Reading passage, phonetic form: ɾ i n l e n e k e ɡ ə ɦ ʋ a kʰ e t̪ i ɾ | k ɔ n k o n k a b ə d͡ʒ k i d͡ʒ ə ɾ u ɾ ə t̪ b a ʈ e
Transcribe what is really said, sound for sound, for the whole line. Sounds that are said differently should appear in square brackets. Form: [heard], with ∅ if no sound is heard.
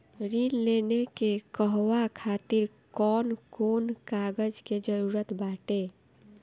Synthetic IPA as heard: ɾ i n l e n e k e [k] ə ɦ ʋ a kʰ [a] t̪ i ɾ | k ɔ n k o n k a [ɡ] ə d͡ʒ k [e] d͡ʒ ə ɾ u ɾ ə t̪ b a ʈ e